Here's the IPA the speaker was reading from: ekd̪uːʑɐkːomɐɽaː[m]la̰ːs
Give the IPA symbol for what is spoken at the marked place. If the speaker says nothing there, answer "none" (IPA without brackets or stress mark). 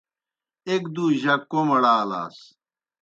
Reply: none